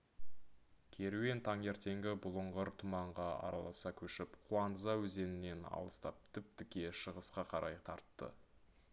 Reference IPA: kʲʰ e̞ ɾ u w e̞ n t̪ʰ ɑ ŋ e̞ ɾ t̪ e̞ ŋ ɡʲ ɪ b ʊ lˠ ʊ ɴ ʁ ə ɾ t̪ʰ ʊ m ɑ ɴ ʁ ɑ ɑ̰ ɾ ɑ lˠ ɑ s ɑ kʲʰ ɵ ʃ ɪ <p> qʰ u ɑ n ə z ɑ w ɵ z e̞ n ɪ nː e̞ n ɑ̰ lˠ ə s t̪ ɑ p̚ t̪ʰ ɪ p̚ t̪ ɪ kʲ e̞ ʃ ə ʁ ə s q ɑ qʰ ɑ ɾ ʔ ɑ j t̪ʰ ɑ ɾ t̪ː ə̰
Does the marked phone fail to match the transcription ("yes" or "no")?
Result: no